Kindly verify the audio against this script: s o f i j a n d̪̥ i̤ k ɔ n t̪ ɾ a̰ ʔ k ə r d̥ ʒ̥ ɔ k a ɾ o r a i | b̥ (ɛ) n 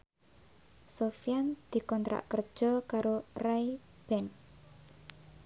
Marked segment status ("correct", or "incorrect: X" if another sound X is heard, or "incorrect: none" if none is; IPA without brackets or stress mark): correct